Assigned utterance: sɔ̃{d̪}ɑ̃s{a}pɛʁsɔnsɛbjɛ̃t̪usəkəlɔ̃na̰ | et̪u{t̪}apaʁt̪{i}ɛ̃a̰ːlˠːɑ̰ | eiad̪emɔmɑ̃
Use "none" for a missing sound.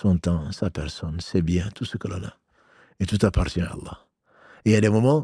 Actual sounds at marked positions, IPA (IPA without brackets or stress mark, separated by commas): t̪, a, t̪, j